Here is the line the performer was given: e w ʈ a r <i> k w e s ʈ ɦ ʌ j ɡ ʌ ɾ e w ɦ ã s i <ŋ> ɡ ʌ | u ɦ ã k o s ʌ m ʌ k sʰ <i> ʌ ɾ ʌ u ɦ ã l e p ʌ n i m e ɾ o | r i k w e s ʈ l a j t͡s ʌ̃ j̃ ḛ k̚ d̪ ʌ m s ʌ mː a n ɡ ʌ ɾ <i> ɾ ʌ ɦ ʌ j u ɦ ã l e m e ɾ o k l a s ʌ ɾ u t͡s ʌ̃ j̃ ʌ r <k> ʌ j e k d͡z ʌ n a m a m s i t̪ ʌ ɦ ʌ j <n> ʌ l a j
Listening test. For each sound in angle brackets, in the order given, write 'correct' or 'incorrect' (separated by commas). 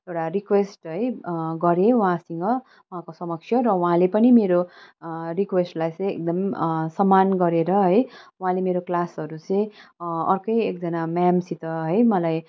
correct, correct, incorrect, incorrect, correct, incorrect